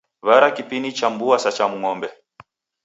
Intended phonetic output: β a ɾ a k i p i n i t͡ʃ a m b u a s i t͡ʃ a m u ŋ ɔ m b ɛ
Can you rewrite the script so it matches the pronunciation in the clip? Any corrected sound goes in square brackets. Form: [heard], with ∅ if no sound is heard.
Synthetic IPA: β a ɾ a k i p i n i t͡ʃ a m b u a s [a] t͡ʃ a m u ŋ ɔ m b ɛ

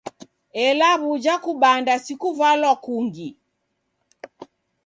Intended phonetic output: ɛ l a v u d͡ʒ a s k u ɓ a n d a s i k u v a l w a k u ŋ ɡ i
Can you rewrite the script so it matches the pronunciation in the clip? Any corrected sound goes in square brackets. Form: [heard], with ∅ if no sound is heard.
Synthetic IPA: ɛ l a [β] u d͡ʒ a [∅] k u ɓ a n d a s i k u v a l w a k u ŋ ɡ i

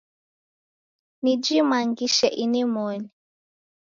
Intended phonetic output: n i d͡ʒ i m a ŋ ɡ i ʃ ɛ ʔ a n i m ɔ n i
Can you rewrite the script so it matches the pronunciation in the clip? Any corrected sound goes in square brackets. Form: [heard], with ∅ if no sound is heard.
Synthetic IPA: n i d͡ʒ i m a ŋ ɡ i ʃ ɛ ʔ [i] n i m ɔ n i

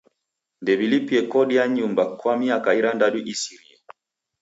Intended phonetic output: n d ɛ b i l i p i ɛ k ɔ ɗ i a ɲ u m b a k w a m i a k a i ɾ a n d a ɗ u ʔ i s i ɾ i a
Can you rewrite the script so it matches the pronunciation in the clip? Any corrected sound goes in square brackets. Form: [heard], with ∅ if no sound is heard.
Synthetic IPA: n d ɛ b i l i p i ɛ k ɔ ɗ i a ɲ u m b a k w a m i a k a i ɾ a n d a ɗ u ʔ i s i ɾ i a

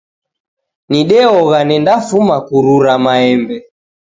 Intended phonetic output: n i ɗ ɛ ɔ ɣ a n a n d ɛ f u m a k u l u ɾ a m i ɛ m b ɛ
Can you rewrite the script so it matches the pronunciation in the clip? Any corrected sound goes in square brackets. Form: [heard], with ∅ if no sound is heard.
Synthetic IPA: n i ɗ ɛ ɔ ɣ a n [ɛ] n d [a] f u m a k u [ɾ] u ɾ a m [a] ɛ m b ɛ

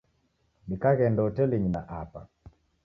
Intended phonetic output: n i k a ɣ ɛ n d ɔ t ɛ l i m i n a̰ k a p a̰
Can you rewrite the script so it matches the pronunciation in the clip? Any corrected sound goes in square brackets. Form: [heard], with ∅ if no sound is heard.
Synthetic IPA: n i k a ɣ ɛ n d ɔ t ɛ l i [ɲ] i n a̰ [ʔ] a p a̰

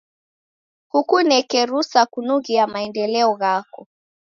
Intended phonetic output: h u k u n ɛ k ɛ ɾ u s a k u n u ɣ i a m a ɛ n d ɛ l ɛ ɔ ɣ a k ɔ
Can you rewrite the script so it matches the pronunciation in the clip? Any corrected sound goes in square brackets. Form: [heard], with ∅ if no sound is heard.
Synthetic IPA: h u k u n ɛ k ɛ ɾ u s a k u n u ɣ i a m a ɛ n d ɛ l ɛ ɔ ɣ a k ɔ

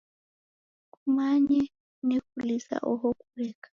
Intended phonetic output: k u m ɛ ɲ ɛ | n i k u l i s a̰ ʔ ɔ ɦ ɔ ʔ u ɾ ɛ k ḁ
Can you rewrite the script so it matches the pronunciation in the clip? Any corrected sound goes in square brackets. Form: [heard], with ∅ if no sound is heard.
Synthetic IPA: k u m [a] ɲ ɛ | n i k u l i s a̰ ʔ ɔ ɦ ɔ [k] u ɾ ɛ k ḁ

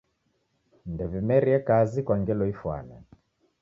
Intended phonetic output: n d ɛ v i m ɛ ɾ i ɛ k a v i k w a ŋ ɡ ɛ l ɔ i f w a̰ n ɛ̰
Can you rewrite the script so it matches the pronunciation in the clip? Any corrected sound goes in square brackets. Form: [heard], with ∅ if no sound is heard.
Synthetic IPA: n d ɛ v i m ɛ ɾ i ɛ k a [z] i k w a ŋ ɡ ɛ l ɔ i f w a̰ n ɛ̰

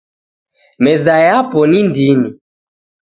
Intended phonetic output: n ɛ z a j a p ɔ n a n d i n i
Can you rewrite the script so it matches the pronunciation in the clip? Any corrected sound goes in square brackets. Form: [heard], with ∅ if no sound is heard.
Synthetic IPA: [m] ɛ z a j a p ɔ n [i] n d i n i

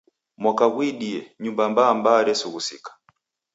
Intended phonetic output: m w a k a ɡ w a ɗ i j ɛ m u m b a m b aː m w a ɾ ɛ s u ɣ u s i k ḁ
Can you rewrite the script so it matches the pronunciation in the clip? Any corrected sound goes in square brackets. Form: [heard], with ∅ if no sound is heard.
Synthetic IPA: m w a k a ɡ w [i] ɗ i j ɛ [ɲ] u m b a m b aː m [b] a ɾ ɛ s u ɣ u s i k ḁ

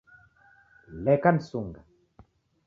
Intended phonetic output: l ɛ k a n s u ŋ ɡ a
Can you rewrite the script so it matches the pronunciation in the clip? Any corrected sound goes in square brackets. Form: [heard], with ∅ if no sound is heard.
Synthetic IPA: l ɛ k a n s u ŋ ɡ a

